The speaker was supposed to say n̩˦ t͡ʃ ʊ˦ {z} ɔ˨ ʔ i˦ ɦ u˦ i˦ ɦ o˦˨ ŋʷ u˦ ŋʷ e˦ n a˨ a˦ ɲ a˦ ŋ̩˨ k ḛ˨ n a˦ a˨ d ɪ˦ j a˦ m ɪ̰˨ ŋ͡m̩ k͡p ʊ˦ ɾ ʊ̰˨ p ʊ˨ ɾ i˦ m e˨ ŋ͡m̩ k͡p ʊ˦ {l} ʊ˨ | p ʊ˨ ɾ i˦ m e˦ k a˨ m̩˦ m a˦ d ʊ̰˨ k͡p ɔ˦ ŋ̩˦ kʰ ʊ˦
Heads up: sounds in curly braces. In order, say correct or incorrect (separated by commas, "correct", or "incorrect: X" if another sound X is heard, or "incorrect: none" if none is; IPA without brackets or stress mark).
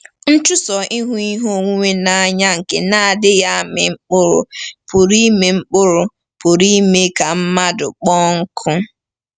incorrect: s, incorrect: ɾ